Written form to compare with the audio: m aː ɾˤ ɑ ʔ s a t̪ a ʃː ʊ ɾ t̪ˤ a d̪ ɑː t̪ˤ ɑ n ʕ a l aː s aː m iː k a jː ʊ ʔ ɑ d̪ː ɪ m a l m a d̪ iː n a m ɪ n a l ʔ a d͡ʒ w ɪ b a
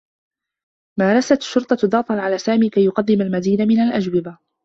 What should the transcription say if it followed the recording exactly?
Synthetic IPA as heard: m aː ɾˤ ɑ s a t̪ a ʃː ʊ ɾ t̪ˤ ɑ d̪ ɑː t̪ˤ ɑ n ʕ a l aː s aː m iː k a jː ʊ q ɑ d̪ː ɪ m a l m a d̪ iː n a m ɪ n a l ʔ a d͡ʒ w ɪ b a